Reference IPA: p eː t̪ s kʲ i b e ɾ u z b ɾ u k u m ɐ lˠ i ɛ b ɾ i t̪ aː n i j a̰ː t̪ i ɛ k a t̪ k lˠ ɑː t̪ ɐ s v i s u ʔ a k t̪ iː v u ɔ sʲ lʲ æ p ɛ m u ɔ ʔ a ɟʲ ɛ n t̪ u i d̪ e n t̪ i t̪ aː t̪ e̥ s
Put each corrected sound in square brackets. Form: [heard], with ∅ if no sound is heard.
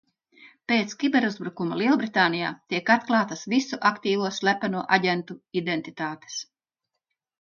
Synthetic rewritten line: p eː t̪ s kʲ i b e ɾ u z b ɾ u k u m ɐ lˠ i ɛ b ɾ i t̪ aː n i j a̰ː t̪ i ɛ k a t̪ k lˠ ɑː t̪ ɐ s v i s u ʔ a k t̪ iː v u ɔ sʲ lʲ æ p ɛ [n] u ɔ ʔ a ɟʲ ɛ n t̪ u i d̪ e n t̪ i t̪ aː t̪ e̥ s